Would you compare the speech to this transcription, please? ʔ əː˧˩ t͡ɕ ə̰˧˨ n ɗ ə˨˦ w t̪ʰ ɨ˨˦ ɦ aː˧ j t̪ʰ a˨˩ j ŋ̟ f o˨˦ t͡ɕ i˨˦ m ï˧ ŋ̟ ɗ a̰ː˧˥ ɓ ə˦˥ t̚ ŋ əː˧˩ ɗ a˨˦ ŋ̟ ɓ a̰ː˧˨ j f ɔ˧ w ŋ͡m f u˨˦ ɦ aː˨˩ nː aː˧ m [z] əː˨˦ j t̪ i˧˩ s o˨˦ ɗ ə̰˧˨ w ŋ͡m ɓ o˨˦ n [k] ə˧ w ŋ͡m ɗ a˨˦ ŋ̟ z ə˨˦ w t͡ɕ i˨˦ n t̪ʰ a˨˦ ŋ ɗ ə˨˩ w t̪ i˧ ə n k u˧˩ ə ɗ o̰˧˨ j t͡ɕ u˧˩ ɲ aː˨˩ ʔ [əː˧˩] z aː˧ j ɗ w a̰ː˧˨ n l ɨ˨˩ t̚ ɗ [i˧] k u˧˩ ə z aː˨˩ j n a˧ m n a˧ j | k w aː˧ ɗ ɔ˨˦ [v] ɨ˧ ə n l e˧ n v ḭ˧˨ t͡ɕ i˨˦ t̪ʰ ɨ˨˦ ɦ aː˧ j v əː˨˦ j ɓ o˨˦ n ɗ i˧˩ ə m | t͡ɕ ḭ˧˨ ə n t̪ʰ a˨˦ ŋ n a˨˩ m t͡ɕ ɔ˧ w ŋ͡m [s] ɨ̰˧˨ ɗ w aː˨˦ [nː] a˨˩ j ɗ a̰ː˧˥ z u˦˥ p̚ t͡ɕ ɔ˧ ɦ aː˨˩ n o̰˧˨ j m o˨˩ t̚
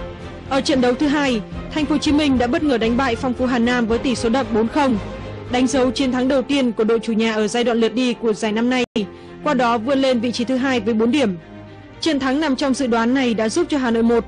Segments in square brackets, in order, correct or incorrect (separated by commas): incorrect, incorrect, correct, correct, correct, incorrect, correct